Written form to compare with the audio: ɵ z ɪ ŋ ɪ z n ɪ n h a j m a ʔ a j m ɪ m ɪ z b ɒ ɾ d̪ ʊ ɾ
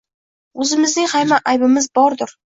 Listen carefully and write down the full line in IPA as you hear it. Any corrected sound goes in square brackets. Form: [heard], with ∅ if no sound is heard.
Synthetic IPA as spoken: ɵ z ɪ [m] ɪ z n ɪ [ŋ] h a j m a ʔ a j [b] ɪ m ɪ z b ɒ ɾ d̪ ʊ ɾ